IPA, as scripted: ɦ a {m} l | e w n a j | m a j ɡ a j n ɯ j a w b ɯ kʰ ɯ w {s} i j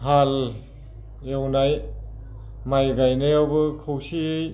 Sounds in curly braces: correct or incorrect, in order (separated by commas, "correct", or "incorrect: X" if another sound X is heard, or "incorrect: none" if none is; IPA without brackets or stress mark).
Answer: incorrect: none, correct